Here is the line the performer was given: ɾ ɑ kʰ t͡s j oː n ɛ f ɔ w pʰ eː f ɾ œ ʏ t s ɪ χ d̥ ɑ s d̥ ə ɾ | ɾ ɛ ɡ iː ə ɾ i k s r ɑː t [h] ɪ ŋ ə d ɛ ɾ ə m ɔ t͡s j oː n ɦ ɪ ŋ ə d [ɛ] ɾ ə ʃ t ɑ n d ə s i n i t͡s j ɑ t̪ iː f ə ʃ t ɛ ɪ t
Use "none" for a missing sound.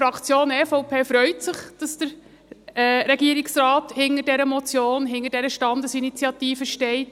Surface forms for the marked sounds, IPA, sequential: h, ɛ

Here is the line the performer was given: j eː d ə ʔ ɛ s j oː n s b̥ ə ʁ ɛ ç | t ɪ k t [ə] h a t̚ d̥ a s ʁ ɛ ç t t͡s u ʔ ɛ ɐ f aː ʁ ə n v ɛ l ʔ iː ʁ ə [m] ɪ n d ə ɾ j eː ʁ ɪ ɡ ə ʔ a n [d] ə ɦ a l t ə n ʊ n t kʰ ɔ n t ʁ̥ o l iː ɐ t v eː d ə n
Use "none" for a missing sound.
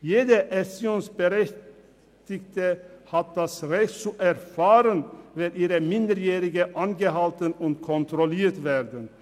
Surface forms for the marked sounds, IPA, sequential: ə, m, ɡ

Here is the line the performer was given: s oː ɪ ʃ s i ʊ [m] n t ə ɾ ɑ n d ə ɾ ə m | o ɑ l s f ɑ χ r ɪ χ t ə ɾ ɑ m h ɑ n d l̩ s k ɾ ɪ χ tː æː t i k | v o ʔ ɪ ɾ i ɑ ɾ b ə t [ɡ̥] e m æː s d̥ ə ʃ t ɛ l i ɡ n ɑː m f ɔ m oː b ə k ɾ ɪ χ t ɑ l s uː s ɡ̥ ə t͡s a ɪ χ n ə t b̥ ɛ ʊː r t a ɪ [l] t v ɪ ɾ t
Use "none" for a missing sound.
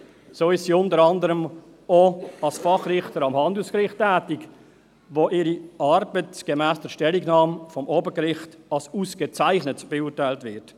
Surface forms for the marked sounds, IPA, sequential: none, ɡ̥, l

